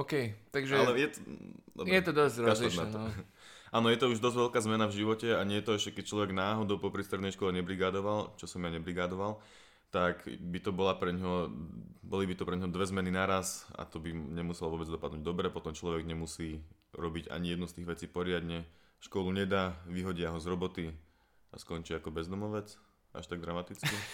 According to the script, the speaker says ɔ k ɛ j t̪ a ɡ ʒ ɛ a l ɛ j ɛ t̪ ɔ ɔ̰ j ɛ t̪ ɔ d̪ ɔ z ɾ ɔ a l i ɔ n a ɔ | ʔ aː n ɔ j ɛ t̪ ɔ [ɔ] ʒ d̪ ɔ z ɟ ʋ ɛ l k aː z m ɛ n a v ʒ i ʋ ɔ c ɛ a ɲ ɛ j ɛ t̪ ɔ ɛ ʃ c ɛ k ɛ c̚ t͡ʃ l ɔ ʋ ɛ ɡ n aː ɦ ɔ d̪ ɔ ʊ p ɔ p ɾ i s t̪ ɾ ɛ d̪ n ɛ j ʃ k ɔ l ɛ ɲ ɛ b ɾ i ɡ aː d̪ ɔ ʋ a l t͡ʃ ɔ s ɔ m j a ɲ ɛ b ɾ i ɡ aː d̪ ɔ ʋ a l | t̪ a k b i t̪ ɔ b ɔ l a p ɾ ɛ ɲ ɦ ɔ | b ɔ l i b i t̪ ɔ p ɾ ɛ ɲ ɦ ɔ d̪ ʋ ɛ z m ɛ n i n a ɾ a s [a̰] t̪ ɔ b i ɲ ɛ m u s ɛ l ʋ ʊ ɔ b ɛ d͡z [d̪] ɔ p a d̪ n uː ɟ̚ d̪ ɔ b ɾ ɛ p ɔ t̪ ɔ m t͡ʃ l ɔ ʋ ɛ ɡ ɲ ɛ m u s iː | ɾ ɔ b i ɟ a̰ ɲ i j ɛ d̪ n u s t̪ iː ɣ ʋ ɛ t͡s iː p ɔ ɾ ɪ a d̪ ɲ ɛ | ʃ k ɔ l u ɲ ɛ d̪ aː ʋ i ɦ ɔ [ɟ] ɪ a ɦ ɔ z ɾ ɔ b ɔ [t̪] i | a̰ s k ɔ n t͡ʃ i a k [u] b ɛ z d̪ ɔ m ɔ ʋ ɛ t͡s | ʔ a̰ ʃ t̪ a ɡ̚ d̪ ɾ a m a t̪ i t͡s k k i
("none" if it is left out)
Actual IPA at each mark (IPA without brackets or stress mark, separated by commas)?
u, a̰, d̪, ɟ, t̪, ɔ